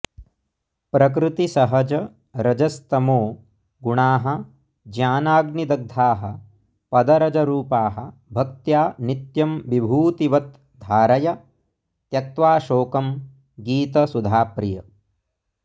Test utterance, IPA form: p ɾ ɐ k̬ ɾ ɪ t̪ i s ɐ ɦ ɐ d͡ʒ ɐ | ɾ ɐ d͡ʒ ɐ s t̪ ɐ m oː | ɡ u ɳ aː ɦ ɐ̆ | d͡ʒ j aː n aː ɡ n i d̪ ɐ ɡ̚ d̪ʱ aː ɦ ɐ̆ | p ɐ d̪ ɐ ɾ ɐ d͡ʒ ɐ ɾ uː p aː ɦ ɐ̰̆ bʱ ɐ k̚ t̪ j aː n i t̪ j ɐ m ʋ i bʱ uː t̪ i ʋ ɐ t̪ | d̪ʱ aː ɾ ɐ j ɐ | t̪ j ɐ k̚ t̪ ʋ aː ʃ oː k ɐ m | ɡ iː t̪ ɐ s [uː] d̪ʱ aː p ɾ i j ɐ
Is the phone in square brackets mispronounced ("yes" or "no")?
yes